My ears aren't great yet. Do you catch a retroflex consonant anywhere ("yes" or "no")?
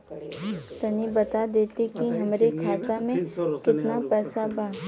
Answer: no